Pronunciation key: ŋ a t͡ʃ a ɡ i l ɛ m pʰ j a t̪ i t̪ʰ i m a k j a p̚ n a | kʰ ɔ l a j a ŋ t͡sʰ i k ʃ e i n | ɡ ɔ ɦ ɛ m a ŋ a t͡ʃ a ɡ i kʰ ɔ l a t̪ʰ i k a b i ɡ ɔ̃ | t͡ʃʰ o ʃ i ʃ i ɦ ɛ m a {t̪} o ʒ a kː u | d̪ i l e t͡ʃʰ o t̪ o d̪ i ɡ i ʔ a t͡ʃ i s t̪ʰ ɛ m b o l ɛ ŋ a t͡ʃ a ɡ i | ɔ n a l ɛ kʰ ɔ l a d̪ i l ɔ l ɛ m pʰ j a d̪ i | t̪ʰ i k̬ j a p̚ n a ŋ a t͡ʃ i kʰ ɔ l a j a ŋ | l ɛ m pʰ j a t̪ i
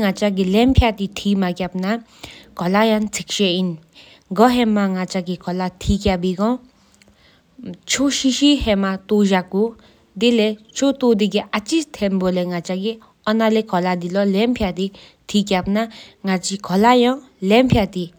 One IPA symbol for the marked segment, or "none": t̪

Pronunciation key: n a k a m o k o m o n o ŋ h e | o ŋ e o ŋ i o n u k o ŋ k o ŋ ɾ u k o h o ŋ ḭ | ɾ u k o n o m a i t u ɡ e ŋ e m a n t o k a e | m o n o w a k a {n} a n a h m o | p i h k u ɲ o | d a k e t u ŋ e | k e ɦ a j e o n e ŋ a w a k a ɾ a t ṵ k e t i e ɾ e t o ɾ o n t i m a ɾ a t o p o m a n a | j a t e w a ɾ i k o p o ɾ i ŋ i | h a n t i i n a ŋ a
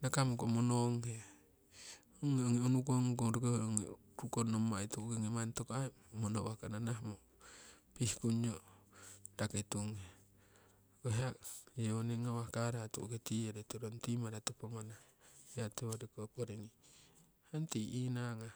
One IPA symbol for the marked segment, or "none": n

